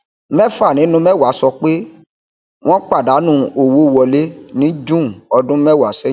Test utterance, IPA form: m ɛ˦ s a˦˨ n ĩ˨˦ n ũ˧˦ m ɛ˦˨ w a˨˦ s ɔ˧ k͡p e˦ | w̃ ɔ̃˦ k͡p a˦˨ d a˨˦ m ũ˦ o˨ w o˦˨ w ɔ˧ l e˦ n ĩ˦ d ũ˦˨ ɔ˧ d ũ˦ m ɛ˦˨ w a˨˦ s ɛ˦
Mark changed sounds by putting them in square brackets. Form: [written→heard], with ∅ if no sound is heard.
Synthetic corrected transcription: m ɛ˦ [s→f] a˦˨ n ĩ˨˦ n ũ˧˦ m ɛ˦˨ w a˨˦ s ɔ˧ k͡p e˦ | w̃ ɔ̃˦ k͡p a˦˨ d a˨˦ [m→n] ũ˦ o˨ w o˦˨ w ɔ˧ l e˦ n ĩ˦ [d→d͡ʒ] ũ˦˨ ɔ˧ d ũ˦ m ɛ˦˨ w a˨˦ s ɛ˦